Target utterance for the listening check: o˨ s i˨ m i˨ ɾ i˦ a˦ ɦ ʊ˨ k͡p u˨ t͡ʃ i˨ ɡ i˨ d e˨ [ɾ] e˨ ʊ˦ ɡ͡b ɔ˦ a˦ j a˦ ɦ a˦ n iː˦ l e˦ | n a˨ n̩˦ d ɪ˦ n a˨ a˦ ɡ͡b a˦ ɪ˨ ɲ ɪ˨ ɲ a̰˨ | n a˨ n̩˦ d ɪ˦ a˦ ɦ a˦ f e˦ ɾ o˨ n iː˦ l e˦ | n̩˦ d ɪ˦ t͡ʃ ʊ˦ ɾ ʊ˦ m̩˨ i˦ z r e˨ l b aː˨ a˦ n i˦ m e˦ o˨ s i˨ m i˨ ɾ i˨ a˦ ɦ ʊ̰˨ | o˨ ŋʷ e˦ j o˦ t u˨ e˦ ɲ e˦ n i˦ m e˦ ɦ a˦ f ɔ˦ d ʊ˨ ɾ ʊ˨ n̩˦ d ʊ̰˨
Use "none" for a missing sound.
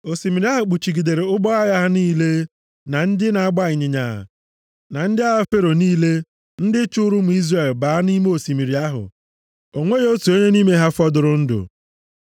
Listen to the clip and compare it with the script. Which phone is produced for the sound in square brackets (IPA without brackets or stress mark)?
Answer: ɾ